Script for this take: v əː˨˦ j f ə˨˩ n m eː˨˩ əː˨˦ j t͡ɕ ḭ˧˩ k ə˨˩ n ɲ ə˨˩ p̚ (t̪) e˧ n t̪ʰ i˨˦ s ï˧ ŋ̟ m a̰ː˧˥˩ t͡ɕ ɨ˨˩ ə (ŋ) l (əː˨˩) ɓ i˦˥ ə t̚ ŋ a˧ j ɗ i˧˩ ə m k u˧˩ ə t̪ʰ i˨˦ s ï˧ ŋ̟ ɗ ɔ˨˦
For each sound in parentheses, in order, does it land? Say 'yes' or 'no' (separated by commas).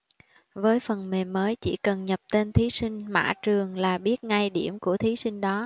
yes, yes, no